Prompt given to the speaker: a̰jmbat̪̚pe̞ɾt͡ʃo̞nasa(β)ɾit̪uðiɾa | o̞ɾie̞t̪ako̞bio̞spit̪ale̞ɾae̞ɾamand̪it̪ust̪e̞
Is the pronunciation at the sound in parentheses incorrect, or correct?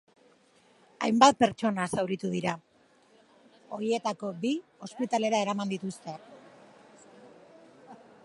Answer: incorrect